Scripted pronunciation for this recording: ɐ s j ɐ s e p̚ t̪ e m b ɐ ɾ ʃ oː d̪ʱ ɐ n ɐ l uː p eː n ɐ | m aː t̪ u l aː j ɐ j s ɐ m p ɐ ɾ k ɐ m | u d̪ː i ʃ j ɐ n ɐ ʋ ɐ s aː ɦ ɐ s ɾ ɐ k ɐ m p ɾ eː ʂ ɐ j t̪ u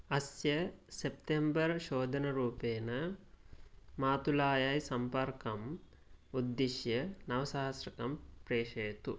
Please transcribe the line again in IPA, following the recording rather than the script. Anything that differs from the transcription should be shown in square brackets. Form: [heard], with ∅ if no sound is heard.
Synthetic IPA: ɐ s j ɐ s e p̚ t̪ e m b ɐ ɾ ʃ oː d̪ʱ ɐ n ɐ [ɾ] uː p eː n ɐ | m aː t̪ u l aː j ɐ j s ɐ m p ɐ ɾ k ɐ m | u d̪ː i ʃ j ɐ n ɐ ʋ ɐ s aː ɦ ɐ s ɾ ɐ k ɐ m p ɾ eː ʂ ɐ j t̪ u